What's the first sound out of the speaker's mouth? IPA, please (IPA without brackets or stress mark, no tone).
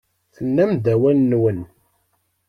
θ